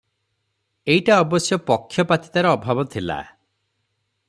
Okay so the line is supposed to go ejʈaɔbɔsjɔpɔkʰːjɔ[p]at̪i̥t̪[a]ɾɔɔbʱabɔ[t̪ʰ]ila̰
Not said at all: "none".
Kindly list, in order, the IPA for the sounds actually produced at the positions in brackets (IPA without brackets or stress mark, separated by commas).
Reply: p, a, t̪ʰ